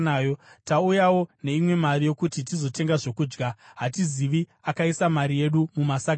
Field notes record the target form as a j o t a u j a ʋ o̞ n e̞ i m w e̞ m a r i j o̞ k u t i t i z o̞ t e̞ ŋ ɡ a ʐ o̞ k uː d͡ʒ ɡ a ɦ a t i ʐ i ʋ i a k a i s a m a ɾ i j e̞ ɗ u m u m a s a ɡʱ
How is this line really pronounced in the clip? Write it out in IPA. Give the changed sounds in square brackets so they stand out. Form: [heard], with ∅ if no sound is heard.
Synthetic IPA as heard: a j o t a u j a [w] o̞ n e̞ i m w e̞ m a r i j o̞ k u t i t i z o̞ t e̞ ŋ ɡ a ʐ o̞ k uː d͡ʒ ɡ a ɦ a t i [z] i ʋ i a k a i s a m a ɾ i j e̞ ɗ u m u m a s a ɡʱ